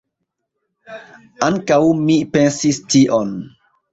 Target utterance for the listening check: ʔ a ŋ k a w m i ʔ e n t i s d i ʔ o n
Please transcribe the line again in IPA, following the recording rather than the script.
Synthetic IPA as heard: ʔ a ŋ k a w m i p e n s i s t i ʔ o n